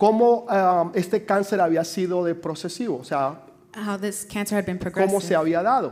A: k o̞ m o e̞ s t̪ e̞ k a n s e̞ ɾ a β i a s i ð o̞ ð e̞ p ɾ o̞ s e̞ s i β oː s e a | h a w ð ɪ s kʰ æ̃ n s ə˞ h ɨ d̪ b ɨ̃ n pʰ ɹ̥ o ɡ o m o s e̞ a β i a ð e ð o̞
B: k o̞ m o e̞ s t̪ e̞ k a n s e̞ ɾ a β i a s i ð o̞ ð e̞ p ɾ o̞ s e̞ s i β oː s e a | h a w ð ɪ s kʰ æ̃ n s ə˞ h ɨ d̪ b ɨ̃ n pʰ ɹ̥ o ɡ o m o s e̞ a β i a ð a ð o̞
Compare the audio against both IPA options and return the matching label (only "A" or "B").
B